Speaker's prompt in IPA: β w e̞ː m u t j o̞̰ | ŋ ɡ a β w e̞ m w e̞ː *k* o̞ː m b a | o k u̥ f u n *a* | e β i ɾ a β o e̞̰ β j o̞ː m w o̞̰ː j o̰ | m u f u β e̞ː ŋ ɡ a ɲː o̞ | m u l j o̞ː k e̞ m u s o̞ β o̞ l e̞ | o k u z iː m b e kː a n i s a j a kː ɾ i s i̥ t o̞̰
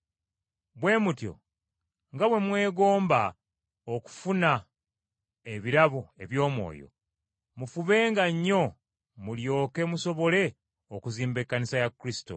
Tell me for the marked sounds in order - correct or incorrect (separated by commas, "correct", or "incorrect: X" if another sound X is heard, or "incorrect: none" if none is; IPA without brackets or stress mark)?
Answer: incorrect: ɡ, correct